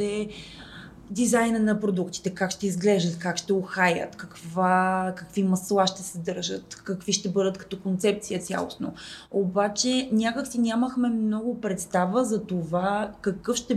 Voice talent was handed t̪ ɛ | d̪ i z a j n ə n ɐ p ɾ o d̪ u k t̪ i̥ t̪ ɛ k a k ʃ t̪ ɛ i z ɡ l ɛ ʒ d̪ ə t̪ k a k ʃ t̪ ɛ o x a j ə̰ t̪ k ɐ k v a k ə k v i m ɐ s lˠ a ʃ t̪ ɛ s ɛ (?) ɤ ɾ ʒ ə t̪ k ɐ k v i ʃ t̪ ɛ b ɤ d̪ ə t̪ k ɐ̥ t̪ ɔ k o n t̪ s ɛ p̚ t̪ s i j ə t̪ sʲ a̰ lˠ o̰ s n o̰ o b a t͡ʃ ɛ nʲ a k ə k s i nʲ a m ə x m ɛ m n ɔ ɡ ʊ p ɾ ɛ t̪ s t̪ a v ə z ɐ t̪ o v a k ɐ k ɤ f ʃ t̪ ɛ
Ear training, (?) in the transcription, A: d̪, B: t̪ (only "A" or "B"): A